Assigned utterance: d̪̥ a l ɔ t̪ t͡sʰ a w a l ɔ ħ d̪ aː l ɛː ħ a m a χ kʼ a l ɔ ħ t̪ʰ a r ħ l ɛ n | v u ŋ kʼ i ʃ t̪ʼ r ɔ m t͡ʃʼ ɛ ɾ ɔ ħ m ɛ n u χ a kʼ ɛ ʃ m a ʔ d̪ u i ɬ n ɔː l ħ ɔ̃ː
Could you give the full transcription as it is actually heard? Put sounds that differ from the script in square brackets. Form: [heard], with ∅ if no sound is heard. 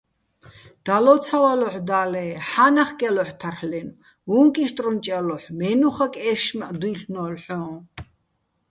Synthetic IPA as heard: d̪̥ a l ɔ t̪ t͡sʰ a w a l ɔ ħ d̪ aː l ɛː ħ a [n] a χ kʼ [ɛ] l ɔ ħ t̪ʰ a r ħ l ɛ n | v u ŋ kʼ i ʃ t̪ʼ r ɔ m t͡ʃʼ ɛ [l] ɔ ħ m ɛ n u χ a kʼ ɛ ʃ m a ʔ d̪ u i ɬ n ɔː l ħ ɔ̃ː